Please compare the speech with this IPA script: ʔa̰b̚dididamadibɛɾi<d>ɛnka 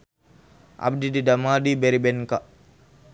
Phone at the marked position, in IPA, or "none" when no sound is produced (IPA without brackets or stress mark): b